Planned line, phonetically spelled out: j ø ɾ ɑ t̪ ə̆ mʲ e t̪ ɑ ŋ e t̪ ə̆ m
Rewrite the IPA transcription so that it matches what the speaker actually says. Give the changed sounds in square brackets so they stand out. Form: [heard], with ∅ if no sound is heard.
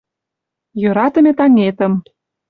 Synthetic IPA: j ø ɾ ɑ t̪ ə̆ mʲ e t̪ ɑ ŋ e t̪ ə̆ m